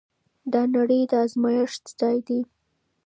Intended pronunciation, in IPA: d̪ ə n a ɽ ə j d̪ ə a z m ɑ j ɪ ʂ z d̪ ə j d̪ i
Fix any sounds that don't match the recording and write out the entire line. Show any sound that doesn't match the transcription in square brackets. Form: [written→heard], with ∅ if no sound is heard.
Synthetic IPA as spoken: d̪ [ə→ɑ] n a ɽ ə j d̪ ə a z m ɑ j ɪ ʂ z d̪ [ə→ɑ] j d̪ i

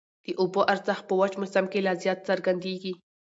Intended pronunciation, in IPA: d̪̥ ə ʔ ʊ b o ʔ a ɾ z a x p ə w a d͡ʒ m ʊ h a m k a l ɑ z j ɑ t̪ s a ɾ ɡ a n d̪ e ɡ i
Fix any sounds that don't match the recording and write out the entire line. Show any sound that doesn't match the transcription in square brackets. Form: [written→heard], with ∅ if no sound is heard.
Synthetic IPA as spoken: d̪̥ ə ʔ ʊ b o ʔ a ɾ z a x p ə w a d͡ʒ m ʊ [h→s] a m k [a→e] l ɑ z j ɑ t̪ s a ɾ ɡ a n d̪ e ɡ i

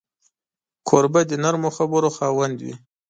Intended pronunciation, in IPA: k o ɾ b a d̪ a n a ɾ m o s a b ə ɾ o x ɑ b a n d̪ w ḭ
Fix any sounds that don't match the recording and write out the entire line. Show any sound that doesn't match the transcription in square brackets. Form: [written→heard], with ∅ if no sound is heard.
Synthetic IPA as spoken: [k→kʰ] o ɾ b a d̪ [a→ə] n a ɾ m o [s→x] a b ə ɾ o x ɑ [b→w] a n d̪ w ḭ

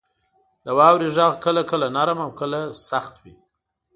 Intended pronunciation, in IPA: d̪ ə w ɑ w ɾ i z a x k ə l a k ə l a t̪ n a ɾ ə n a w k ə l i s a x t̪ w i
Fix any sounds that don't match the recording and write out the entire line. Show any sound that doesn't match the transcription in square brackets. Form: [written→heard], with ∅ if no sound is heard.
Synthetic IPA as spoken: d̪ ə w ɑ w ɾ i [z→ʒ] a [x→ɣ] k ə l a k ə l a [t̪→∅] n a ɾ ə [n→m] a w k ə l [i→a] s a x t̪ w i

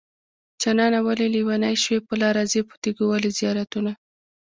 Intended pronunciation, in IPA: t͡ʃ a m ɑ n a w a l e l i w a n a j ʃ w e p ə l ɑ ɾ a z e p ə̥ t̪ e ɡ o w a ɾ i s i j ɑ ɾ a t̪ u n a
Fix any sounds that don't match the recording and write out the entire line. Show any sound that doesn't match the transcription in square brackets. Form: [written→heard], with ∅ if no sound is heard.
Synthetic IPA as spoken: t͡ʃ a [m→n] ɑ n a w a l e l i w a n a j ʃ w e p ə l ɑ ɾ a z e p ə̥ t̪ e ɡ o w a [ɾ→l] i [s→z] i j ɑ ɾ a t̪ u n a

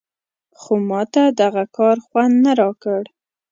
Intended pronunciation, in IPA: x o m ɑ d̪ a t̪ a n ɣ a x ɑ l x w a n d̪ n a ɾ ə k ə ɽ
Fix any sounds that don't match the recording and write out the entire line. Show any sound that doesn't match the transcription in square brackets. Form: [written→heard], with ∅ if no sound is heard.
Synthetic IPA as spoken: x o m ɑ [d̪→t̪] a [t̪→d̪] a [n→∅] ɣ a [x→k] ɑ [l→ɾ] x w a n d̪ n a ɾ [ə→ɑ] k ə ɽ

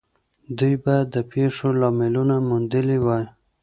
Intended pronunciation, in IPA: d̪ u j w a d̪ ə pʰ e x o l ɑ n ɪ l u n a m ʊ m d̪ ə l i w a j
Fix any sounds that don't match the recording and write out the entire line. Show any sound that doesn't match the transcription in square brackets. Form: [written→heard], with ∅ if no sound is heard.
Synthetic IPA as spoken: d̪ u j [w→b] a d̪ ə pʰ e [x→ʂ] o l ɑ [n→m] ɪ l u n a m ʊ [m→n] d̪ ə l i w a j

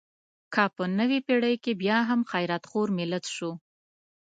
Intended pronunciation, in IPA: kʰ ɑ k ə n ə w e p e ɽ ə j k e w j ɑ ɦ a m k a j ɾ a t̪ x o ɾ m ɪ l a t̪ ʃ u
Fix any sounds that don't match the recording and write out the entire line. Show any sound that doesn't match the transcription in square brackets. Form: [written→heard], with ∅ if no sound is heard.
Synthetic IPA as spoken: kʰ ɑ [k→p] ə n ə w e p e ɽ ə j k e [w→b] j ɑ ɦ a m [k→x] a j ɾ a t̪ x o ɾ m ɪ l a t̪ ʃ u

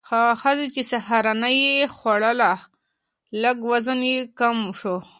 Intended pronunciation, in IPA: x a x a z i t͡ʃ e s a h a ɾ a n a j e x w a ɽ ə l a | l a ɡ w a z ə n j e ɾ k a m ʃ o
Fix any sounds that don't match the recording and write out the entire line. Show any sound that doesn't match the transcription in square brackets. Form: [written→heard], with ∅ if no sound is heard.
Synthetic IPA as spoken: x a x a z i t͡ʃ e s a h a ɾ a n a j e x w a ɽ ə l a | l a ɡ w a z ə n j e [ɾ→∅] k a m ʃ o

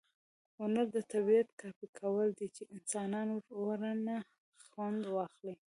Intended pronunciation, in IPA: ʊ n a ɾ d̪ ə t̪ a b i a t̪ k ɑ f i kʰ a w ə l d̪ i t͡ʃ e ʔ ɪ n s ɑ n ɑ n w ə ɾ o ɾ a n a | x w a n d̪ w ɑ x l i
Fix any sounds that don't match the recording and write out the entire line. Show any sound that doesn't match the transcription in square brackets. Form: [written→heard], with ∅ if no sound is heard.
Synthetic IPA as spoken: ʊ n a ɾ d̪ ə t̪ a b i a t̪ k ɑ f i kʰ a w ə l d̪ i t͡ʃ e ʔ ɪ n s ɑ n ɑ n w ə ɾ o ɾ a n a | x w a n d̪ w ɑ x l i

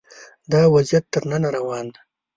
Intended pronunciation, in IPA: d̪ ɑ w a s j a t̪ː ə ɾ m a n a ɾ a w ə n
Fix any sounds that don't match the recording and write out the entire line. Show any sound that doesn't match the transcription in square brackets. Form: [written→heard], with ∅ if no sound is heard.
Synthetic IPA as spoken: d̪ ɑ w a [s→z] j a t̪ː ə ɾ [m→n] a n a ɾ a w [ə→ɑ] n

